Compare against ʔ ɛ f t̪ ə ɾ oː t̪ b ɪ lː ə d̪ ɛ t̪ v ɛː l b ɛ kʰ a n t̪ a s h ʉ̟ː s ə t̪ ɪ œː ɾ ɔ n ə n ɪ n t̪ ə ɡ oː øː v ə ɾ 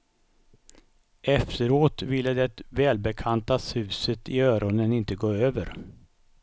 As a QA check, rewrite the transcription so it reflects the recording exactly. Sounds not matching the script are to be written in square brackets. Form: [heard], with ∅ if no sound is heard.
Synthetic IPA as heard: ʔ ɛ f t̪ ə ɾ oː t̪ [v] ɪ lː ə d̪ ɛ t̪ v ɛː l b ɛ kʰ a n t̪ a s h ʉ̟ː s ə t̪ ɪ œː ɾ ɔ n ə n ɪ n t̪ ə ɡ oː øː v ə ɾ